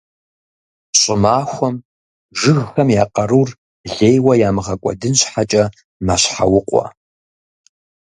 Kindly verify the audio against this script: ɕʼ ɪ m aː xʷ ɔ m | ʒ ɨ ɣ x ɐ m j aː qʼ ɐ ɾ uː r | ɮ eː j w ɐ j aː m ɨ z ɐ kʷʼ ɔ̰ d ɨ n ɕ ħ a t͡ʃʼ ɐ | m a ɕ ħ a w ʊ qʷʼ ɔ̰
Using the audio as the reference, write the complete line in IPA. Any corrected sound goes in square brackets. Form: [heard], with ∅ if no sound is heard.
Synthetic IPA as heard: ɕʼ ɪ m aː xʷ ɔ m | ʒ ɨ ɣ x ɐ m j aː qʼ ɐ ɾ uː r | ɮ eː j w ɐ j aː m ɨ [ʁ] ɐ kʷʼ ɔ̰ d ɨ n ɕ ħ a t͡ʃʼ ɐ | m a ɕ ħ a w ʊ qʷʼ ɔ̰